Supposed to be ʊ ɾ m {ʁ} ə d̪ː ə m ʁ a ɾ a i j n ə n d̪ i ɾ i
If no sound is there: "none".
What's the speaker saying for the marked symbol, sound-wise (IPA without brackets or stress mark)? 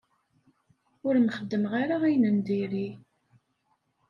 χ